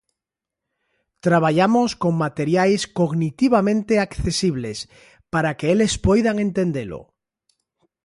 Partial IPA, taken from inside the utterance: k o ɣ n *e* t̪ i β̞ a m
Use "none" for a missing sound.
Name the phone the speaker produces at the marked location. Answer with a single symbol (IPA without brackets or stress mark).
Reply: i